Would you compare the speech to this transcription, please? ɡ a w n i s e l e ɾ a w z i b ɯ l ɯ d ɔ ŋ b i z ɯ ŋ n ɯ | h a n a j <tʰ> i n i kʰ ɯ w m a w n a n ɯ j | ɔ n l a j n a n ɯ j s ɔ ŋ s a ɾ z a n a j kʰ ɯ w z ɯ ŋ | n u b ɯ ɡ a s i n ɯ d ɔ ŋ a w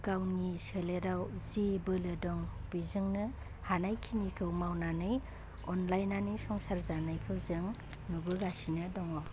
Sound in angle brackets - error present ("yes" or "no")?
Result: yes